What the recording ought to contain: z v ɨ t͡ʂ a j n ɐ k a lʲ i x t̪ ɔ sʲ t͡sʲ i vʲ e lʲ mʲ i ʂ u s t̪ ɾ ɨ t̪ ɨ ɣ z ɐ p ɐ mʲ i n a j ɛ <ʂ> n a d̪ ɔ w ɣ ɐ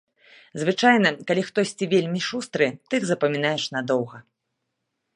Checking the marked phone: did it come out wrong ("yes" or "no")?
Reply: no